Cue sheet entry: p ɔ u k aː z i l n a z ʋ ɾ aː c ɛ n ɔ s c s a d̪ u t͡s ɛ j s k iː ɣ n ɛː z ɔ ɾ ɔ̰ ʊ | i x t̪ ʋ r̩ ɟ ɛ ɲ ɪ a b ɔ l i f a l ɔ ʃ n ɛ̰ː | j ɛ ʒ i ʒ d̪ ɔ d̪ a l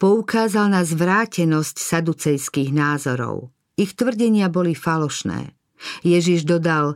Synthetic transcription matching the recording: p ɔ u k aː z a l n a z ʋ ɾ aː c ɛ n ɔ s c s a d̪ u t͡s ɛ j s k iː ɣ n aː z ɔ ɾ ɔ̰ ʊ | i x t̪ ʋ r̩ ɟ ɛ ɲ ɪ a b ɔ l i f a l ɔ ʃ n ɛ̰ː | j ɛ ʒ i ʒ d̪ ɔ d̪ a l